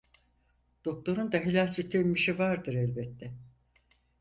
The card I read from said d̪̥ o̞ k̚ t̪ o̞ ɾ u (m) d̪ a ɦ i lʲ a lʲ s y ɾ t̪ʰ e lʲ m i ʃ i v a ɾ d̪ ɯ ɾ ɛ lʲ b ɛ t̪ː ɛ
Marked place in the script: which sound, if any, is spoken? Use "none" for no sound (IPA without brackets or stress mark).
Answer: n